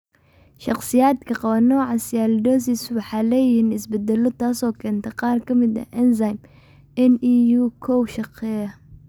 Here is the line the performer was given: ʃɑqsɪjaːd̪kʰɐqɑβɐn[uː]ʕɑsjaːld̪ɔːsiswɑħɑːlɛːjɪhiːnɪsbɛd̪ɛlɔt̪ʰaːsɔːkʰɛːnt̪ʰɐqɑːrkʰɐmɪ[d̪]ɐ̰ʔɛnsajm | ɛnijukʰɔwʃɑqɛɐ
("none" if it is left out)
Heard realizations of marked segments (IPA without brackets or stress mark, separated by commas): ɔː, d̪